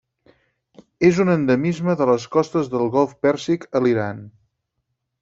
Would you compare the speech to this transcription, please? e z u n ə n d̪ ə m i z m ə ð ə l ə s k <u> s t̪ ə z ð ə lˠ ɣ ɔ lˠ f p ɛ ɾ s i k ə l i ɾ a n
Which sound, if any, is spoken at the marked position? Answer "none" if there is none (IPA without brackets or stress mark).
ɔ